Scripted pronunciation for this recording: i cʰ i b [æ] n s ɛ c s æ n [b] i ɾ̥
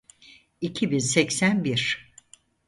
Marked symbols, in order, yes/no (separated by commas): no, yes